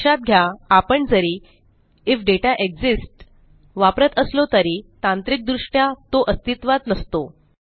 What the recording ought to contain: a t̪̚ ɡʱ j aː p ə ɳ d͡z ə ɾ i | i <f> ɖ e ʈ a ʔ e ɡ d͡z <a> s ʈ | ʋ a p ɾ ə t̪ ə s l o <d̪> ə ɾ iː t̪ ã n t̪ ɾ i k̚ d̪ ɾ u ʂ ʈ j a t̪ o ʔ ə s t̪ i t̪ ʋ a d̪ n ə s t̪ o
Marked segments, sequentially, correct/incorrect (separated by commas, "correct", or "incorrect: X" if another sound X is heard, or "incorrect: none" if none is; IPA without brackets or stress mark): correct, incorrect: i, incorrect: t̪